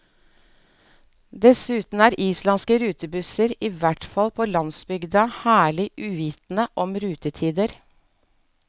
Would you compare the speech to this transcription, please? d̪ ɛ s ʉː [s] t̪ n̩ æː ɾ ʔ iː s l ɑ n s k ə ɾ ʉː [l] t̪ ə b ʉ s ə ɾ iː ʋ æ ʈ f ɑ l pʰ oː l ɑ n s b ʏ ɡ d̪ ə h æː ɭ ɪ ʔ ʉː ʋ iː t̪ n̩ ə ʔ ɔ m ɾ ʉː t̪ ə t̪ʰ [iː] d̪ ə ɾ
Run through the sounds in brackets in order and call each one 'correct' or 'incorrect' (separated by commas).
incorrect, incorrect, correct